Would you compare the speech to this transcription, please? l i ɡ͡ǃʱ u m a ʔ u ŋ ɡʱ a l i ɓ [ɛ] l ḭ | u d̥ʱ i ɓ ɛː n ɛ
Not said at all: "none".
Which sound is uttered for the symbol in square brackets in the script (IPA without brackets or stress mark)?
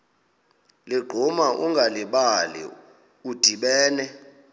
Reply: a